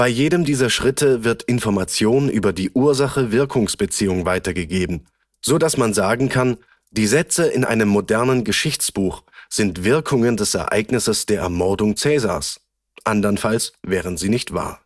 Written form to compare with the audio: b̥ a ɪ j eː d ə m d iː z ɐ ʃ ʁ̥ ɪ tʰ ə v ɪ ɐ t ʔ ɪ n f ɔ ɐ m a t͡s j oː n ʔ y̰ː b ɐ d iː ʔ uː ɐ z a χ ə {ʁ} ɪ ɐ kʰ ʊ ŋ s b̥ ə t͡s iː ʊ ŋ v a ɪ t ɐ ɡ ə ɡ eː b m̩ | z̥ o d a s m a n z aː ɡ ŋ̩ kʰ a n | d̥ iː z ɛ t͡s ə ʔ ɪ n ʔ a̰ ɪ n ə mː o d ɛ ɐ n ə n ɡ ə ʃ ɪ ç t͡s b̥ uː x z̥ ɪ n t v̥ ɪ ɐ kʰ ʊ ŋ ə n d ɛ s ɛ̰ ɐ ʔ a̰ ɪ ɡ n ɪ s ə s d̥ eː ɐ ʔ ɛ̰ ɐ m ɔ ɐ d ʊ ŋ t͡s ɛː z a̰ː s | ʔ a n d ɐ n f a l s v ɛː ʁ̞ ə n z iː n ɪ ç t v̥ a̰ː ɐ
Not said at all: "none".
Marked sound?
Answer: v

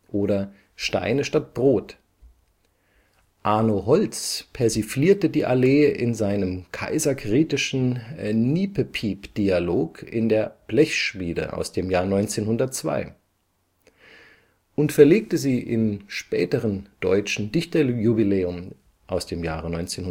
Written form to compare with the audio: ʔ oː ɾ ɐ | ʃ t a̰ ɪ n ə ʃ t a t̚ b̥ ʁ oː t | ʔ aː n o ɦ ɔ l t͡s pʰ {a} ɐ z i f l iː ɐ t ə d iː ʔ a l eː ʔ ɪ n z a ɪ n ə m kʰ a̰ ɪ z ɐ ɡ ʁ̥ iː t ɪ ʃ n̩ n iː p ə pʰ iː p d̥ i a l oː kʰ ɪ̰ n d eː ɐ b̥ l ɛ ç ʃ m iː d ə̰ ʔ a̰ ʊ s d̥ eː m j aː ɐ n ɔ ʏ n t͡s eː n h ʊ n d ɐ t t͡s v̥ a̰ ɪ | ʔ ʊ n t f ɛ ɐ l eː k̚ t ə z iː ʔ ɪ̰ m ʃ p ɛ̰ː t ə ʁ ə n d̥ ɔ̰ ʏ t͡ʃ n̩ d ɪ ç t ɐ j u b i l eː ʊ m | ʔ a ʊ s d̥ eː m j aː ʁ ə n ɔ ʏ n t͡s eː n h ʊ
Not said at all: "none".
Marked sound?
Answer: ɛ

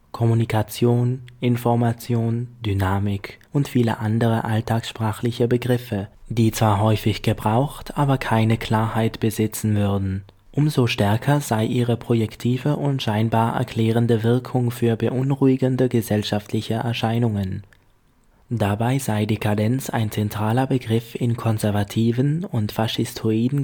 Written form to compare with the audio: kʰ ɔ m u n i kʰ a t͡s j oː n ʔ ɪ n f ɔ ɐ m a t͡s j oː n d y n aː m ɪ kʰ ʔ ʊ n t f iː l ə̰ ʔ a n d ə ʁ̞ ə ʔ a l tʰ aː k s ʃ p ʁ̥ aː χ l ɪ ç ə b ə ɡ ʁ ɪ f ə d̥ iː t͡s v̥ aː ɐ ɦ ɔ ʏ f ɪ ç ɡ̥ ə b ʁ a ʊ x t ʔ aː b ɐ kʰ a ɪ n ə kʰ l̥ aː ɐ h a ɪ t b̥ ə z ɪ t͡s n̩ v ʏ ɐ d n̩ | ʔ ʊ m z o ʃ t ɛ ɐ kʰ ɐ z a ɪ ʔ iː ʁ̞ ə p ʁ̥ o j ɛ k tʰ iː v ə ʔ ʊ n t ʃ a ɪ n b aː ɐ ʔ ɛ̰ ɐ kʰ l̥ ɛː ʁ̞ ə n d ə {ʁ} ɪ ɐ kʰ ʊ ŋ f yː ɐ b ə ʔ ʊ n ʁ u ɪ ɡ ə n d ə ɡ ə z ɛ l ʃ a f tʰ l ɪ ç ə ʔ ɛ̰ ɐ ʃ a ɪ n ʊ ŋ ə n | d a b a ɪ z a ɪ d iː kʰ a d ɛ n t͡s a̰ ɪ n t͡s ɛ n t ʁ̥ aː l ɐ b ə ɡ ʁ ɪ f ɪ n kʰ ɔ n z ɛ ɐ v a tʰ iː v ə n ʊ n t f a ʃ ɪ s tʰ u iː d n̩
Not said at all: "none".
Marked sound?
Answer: v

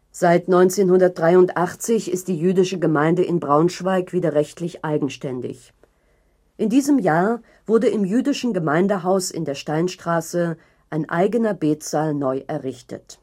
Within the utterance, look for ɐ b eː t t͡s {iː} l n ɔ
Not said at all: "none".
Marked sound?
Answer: aː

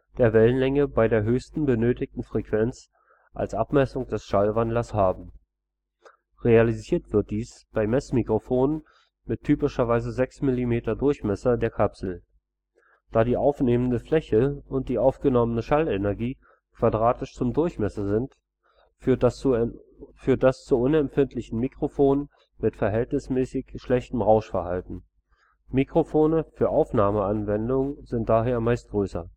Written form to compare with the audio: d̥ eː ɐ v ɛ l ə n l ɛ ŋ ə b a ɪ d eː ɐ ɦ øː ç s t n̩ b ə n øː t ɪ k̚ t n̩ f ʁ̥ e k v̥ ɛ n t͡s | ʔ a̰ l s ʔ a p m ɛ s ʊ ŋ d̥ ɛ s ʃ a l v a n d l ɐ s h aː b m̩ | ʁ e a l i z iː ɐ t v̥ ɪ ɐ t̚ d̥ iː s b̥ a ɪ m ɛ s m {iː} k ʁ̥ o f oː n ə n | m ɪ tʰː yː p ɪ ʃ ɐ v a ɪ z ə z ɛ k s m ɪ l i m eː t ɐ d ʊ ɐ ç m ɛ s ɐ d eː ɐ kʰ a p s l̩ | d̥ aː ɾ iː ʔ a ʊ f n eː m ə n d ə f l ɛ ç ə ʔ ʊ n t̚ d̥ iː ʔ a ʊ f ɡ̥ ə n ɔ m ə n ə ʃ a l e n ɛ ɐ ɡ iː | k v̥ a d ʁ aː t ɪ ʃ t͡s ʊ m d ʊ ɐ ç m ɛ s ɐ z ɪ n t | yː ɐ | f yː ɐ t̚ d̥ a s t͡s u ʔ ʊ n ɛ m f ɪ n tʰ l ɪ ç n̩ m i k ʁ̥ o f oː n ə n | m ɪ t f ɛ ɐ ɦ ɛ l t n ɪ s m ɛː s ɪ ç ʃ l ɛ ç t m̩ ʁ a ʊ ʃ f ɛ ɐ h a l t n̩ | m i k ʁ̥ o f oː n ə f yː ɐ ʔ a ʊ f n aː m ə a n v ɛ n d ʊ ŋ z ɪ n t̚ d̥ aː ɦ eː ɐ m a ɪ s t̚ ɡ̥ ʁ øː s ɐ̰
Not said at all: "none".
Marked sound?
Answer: i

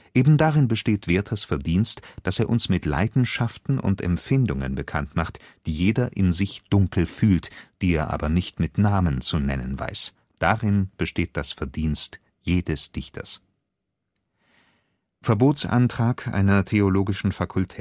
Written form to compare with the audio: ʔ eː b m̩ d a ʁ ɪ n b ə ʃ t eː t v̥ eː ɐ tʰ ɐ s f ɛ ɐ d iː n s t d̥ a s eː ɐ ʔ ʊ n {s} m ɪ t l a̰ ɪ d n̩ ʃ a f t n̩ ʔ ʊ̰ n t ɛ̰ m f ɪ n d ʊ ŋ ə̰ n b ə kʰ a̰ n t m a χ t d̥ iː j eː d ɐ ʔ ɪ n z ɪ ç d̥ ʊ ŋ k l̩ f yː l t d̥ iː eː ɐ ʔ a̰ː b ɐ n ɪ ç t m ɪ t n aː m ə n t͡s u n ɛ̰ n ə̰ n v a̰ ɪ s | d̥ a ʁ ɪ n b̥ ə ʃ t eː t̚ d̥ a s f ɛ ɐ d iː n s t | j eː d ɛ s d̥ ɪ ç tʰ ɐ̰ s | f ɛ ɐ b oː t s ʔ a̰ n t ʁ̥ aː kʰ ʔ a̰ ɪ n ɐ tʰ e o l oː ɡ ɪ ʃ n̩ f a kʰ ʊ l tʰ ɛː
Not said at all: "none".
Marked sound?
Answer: s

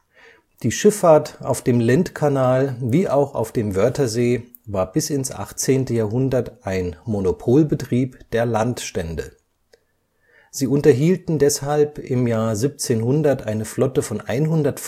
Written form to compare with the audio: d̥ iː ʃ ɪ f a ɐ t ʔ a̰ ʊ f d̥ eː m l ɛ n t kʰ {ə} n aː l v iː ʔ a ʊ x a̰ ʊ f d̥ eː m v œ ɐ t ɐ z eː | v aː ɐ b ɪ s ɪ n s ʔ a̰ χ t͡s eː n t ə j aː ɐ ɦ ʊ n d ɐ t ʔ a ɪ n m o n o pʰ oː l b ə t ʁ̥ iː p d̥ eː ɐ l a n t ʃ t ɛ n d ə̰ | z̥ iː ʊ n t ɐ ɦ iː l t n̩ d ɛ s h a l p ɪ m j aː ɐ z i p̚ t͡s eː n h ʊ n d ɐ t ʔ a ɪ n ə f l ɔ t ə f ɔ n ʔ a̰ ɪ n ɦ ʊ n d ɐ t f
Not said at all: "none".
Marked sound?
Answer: a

